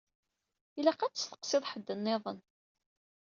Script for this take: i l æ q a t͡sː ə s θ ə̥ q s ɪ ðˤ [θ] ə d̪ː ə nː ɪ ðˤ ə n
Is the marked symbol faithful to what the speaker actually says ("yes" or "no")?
no